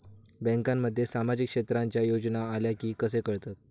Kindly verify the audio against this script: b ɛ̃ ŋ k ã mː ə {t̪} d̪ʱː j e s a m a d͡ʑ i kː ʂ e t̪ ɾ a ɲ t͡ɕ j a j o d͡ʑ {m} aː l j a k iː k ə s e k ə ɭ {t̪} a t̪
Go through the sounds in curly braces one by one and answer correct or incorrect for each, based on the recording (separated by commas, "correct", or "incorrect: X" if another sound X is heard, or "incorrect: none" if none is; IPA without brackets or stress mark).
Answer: incorrect: none, incorrect: n, correct